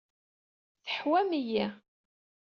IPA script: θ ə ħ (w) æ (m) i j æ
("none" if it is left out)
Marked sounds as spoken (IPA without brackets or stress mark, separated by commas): w, m